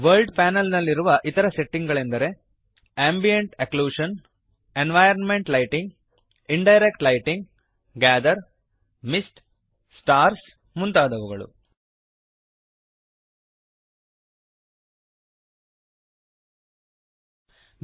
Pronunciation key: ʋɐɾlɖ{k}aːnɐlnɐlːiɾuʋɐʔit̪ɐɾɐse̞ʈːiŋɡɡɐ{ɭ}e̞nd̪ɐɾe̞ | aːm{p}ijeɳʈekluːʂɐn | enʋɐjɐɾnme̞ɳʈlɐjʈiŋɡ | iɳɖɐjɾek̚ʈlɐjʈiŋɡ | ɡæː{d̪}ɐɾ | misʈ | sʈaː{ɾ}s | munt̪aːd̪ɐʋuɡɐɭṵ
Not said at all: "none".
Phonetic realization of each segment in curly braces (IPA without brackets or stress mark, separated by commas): p, ɭ, b, d̪, ɾ